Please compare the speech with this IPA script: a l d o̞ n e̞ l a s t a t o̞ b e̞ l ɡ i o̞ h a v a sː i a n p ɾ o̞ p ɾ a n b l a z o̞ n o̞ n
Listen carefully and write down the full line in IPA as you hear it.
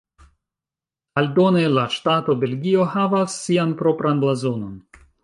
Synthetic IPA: a l d o̞ n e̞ l a ʃ t a t o̞ b e̞ l ɡ i o̞ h a v a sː i a n p ɾ o̞ p ɾ a n b l a z o̞ n o̞ n